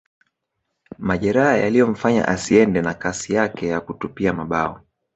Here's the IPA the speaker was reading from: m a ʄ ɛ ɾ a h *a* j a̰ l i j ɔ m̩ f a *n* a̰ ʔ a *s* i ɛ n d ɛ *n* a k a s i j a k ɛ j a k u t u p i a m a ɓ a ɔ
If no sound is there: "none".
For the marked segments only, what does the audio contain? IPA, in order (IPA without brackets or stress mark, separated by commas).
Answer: a, ɲ, s, n